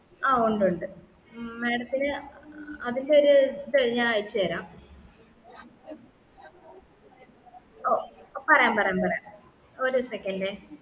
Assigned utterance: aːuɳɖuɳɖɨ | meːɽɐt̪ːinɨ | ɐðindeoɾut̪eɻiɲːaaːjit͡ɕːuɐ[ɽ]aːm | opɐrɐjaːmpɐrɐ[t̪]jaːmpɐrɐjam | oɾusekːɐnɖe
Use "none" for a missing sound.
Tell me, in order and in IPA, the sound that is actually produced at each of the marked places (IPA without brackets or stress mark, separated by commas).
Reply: ɾ, none